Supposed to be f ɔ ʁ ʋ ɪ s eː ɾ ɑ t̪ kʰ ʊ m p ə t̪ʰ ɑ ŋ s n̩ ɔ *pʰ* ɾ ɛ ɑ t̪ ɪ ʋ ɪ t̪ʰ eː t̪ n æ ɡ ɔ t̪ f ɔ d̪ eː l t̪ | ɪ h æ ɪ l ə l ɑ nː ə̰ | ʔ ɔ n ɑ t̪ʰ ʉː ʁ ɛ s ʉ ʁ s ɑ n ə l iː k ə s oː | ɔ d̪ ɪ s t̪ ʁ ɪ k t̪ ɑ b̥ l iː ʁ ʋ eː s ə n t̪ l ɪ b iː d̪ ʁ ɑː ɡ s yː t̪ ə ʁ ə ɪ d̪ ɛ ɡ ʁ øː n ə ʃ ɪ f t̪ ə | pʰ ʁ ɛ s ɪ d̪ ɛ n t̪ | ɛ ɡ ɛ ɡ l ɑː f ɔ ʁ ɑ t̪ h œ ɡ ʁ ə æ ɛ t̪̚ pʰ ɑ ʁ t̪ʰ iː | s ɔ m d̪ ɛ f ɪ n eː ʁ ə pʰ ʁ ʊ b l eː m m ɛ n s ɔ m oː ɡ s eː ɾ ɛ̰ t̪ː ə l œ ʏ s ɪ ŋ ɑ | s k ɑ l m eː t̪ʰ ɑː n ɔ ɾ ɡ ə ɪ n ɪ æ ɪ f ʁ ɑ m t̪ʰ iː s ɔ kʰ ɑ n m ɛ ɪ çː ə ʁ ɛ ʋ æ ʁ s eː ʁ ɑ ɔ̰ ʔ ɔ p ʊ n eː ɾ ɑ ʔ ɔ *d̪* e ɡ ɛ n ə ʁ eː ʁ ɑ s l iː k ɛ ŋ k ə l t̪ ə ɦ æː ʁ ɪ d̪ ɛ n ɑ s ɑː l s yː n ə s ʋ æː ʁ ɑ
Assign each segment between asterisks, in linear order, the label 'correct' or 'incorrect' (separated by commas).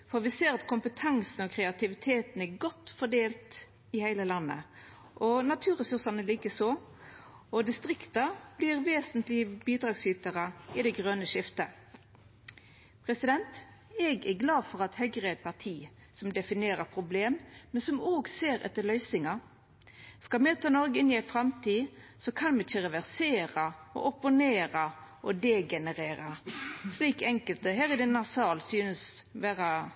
incorrect, correct